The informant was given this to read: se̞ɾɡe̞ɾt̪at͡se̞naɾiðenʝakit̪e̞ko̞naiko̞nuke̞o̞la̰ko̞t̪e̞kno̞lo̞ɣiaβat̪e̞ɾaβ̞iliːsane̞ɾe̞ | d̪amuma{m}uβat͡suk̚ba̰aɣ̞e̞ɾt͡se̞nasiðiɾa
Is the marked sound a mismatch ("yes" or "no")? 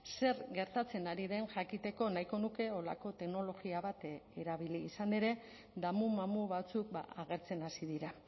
no